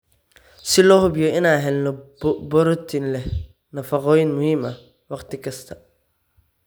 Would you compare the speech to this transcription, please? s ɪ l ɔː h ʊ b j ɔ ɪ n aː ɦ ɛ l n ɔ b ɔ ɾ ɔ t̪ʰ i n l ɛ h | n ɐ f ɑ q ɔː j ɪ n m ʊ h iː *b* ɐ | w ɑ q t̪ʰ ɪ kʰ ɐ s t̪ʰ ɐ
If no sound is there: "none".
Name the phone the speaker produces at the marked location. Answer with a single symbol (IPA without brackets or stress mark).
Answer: m